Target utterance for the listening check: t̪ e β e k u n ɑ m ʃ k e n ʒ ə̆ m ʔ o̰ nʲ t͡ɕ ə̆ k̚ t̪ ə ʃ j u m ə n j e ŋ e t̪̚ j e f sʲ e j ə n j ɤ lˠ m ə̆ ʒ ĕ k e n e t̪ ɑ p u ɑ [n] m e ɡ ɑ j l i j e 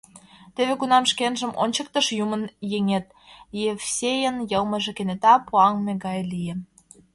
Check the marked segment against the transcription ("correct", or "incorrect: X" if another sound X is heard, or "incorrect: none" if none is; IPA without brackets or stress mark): incorrect: ŋ